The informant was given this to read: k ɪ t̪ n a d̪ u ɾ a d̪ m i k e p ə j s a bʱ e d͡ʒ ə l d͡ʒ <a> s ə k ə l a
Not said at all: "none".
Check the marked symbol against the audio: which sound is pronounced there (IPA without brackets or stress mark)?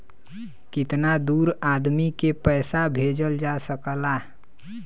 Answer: a